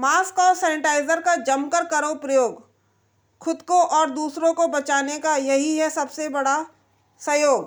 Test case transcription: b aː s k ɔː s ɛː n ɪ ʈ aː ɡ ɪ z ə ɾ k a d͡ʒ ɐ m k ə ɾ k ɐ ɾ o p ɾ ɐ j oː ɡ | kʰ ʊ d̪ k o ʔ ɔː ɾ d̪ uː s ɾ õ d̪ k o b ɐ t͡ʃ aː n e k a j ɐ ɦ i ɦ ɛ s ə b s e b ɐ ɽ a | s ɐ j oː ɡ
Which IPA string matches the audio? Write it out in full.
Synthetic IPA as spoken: m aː s k ɔː s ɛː n ɪ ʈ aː ɪ z ə ɾ k a d͡ʒ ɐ m k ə ɾ k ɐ ɾ o p ɾ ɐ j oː ɡ | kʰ ʊ d̪ k o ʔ ɔː ɾ d̪ uː s ɾ õ k o b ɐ t͡ʃ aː n e k a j ɐ ɦ i ɦ ɛ s ɐ b s e b ɐ ɽ a | s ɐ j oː ɡ